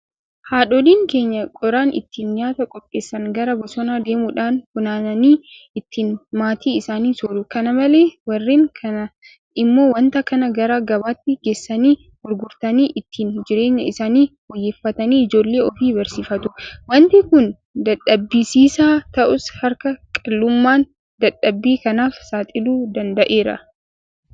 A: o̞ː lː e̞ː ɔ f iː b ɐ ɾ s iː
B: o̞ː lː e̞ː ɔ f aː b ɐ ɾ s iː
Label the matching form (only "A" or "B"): A